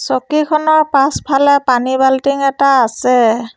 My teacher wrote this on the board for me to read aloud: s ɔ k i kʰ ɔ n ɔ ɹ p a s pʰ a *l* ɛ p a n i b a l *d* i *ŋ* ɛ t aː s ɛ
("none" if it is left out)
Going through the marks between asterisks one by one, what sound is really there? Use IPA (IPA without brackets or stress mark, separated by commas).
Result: l, t, ŋ